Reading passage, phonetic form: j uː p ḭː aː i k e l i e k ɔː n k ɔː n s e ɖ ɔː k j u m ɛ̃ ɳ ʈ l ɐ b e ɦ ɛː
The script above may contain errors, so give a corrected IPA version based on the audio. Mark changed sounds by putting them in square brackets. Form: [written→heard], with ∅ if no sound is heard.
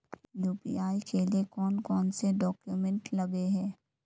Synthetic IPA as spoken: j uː p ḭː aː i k e l i e k ɔː n k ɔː n s e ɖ ɔː k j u m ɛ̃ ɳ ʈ l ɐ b e ɦ ɛː